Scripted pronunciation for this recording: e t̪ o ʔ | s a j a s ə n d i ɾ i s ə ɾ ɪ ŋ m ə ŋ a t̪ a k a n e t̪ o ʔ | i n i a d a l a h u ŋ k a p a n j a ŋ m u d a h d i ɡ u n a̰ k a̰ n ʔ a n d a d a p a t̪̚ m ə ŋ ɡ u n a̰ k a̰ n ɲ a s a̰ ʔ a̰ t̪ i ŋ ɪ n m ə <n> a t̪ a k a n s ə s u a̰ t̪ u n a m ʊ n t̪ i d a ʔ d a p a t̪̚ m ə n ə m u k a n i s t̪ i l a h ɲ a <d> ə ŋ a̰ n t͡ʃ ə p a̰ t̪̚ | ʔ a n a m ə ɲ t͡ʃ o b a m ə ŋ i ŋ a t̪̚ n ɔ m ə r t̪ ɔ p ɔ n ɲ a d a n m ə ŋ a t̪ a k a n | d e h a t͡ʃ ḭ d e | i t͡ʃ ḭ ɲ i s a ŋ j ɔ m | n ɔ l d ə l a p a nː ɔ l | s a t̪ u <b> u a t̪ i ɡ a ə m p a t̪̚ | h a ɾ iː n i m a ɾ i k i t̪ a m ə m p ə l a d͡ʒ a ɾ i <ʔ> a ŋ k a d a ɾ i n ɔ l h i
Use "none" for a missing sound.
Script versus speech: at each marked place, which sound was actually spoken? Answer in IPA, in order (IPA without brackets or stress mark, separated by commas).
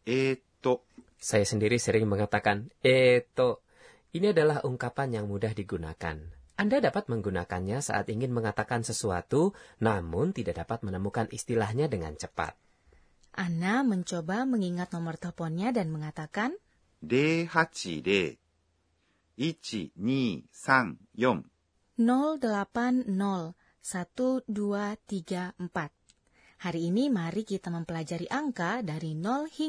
ŋ, d, d, ʔ